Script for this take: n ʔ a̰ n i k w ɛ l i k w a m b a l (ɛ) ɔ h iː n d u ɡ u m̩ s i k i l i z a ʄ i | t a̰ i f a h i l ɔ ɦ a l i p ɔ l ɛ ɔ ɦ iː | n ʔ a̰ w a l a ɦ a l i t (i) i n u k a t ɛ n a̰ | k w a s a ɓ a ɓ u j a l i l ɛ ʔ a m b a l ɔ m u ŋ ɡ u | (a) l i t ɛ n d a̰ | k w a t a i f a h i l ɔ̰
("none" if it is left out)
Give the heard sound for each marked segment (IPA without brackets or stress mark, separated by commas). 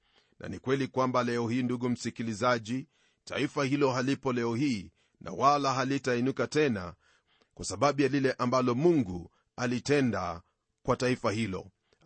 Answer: ɛ, a, a